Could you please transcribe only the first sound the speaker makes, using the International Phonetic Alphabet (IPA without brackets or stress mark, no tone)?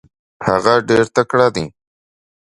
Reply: h